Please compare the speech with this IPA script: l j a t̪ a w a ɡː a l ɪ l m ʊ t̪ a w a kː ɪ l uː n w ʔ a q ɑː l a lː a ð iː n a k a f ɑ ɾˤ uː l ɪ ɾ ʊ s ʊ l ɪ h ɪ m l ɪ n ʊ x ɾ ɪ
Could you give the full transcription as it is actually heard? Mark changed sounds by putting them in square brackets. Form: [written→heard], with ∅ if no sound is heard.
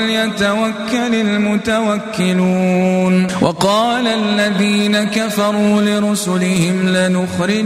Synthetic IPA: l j a t̪ a w a [ɡː→kː] a l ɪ l m ʊ t̪ a w a kː ɪ l uː n w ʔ [a→ɑ] q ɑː l a lː a ð iː n a k a f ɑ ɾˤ uː l ɪ ɾ ʊ s ʊ l ɪ h ɪ m l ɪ n ʊ x ɾ ɪ